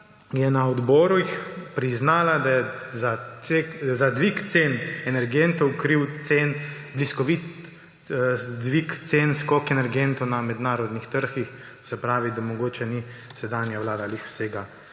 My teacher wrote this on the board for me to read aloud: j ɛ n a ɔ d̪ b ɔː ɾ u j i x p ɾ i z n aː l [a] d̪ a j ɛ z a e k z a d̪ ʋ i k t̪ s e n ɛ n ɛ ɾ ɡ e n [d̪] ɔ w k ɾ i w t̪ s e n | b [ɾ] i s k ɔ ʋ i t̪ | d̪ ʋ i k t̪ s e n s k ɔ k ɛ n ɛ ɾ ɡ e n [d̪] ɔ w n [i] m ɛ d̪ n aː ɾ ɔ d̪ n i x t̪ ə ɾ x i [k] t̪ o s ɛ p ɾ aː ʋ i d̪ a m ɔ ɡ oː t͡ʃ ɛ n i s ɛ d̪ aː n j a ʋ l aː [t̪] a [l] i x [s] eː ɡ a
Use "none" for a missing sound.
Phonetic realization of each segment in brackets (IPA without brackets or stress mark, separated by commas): a, t̪, l, t̪, a, x, d̪, l, s